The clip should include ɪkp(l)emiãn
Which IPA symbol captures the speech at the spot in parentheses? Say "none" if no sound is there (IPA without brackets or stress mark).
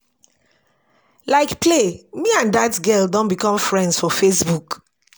l